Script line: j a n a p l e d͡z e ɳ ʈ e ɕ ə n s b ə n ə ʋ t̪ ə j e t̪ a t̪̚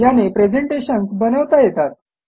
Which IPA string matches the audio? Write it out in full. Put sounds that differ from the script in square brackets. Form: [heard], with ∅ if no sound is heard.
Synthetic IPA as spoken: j a n [e] p [ɾ] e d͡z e ɳ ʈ e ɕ ə n s b ə n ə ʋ t̪ [a] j e t̪ a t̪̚

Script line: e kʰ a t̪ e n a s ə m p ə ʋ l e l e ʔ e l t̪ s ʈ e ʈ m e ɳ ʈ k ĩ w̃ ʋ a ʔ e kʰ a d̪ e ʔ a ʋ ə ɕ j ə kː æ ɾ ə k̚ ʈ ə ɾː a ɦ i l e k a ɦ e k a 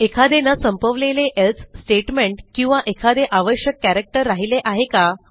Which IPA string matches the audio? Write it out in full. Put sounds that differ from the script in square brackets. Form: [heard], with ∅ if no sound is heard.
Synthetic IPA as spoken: e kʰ a [d̪] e n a s ə m p ə ʋ l e l e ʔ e l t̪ s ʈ e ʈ m e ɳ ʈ k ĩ w̃ ʋ a ʔ e kʰ a d̪ e ʔ a ʋ ə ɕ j ə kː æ ɾ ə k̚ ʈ ə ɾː a ɦ i l e [ʔ] a ɦ e k a

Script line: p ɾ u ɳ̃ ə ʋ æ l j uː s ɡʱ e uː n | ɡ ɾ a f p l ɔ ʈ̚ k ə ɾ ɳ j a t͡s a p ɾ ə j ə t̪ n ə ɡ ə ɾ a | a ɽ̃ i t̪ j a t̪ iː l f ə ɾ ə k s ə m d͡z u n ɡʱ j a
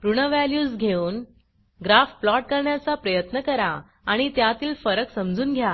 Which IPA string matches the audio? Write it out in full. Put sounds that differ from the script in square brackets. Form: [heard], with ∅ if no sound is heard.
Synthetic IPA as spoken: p ɾ u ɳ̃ ə ʋ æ l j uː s ɡʱ e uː n | ɡ ɾ a f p l ɔ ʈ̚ k ə ɾ ɳ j a t͡s a p ɾ ə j ə t̪ n ə [k] ə ɾ a | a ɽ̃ i t̪ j a t̪ iː l f ə ɾ ə k s ə m d͡z [uː] n ɡʱ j a

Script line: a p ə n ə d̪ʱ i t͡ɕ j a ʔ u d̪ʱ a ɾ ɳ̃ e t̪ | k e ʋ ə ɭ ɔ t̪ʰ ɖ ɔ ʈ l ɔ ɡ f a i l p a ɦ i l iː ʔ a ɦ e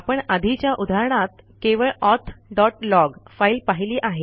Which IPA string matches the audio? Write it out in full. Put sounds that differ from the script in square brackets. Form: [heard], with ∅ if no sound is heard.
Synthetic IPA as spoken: a p ə [ɳ] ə d̪ʱ i t͡ɕ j a ʔ u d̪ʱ a ɾ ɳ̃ [a] t̪ | k e ʋ ə ɭ ɔ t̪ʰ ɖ ɔ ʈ l ɔ ɡ f a i l p a ɦ i l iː ʔ a ɦ e

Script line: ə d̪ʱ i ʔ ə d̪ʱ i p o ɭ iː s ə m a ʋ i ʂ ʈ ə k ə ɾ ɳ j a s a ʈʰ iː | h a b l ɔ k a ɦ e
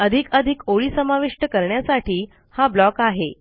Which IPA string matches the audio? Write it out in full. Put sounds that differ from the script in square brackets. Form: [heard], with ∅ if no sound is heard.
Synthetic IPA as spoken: ə d̪ʱ i [k] ə d̪ʱ i [k] o ɭ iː s ə m a ʋ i ʂ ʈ ə k ə ɾ ɳ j a s a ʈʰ iː | h a b l ɔ k a ɦ e

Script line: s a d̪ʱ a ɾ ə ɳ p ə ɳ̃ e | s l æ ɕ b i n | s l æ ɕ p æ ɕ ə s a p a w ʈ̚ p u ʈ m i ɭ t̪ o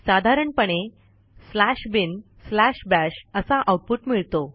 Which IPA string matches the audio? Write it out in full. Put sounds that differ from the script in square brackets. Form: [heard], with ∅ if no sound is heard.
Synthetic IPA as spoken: s a d̪ʱ a ɾ ə ɳ p ə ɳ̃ e | s l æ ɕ b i n | s l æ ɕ [b] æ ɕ ə s a [ʔ] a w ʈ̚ p u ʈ m i ɭ t̪ o

